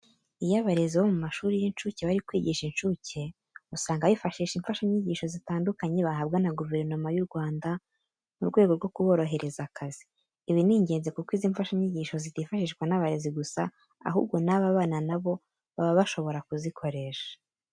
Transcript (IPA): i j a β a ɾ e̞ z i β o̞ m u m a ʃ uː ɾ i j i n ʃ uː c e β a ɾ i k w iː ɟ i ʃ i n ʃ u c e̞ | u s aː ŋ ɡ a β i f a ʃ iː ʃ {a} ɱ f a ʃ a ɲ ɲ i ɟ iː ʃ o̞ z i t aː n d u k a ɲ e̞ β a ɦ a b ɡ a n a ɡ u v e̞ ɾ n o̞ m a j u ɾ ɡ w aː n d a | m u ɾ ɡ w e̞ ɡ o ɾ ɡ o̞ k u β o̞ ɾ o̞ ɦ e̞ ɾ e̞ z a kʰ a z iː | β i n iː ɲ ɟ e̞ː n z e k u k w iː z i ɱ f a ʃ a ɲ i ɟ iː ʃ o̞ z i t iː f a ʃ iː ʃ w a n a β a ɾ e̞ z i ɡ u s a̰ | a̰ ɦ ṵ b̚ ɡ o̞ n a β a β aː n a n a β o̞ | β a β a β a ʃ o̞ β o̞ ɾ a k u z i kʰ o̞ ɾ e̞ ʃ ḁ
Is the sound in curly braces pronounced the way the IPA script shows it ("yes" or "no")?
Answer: no